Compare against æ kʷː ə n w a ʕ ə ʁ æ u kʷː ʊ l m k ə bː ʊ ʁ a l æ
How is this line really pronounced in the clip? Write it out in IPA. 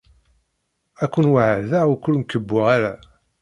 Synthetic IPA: æ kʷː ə n w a ʕ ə ð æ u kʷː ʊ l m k ə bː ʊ ʁ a ɾ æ